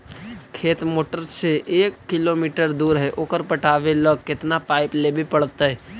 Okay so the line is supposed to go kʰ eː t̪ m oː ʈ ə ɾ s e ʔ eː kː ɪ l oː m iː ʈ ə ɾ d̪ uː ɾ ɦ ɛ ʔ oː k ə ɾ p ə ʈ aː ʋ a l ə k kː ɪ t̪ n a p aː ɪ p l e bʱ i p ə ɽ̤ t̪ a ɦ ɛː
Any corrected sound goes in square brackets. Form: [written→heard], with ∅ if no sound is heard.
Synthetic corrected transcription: kʰ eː t̪ m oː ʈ ə ɾ s e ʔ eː kː ɪ l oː m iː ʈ ə ɾ d̪ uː ɾ ɦ ɛ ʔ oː k ə ɾ p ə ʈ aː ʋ [a→e] l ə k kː ɪ t̪ n a p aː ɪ p l e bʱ i p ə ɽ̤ t̪ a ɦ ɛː